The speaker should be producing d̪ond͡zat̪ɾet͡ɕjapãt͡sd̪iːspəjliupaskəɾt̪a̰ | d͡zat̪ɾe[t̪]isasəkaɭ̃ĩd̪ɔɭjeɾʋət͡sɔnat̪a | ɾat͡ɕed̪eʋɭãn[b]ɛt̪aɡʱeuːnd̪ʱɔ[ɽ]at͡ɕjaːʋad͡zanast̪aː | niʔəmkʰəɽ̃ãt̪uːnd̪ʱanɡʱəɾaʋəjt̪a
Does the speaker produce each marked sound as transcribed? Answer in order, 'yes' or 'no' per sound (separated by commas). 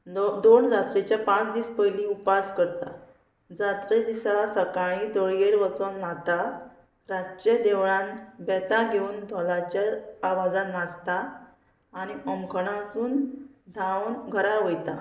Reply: no, yes, no